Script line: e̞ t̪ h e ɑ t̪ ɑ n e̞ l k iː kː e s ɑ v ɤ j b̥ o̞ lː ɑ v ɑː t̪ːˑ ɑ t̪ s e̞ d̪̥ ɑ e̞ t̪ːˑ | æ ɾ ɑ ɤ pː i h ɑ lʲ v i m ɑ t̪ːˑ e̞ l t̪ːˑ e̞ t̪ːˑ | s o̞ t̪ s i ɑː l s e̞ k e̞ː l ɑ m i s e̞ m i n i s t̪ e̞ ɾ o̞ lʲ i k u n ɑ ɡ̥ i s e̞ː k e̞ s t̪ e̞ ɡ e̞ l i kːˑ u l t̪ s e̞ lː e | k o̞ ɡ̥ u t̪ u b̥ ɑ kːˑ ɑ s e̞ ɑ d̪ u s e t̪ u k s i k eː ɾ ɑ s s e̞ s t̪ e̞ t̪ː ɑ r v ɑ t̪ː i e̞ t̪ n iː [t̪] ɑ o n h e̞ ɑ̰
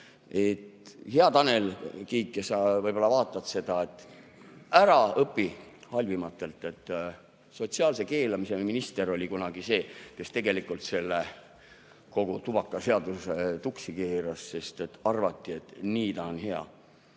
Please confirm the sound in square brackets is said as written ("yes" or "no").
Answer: yes